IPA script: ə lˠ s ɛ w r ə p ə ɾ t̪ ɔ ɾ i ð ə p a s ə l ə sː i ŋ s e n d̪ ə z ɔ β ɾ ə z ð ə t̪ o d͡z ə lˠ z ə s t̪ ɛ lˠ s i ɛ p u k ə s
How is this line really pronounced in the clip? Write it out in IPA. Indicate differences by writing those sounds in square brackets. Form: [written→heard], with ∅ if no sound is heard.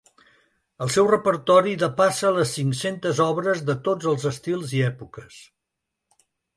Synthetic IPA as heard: ə lˠ s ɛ w r ə p ə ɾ t̪ ɔ ɾ i ð ə p a s ə l ə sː i ŋ s e n [d̪→t̪] ə z ɔ β ɾ ə z ð ə t̪ o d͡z ə lˠ z ə s t̪ [ɛ→i] lˠ [s→z] i ɛ p u k ə s